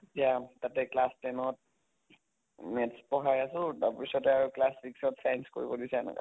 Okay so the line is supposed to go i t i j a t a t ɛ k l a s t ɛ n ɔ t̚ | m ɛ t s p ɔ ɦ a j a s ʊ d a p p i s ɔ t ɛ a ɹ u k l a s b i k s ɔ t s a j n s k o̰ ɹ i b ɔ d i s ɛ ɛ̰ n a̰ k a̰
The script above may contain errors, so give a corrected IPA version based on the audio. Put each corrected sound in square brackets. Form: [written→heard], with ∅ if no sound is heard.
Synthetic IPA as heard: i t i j a t a t ɛ k l a s t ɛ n ɔ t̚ | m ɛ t s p ɔ ɦ a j a s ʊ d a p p i s ɔ t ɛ a ɹ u k l a s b i k s ɔ t s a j n s k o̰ ɹ i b ɔ d i s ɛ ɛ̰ n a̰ k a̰